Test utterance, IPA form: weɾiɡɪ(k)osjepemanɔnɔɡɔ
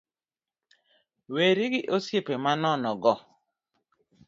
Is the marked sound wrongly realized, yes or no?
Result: yes